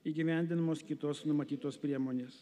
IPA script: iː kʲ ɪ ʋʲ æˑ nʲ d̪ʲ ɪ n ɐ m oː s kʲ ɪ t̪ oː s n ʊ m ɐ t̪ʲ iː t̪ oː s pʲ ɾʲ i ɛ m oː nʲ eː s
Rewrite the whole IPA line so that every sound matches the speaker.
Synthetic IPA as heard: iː ɡʲ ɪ ʋʲ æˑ nʲ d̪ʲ ɪ n ɐ m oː s kʲ ɪ t̪ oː s n ʊ m ɐ t̪ʲ iː t̪ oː s pʲ ɾʲ i ɛ m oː nʲ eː s